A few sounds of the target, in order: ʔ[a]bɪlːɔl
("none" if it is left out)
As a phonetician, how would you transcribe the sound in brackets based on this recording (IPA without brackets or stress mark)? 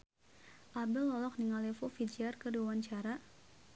a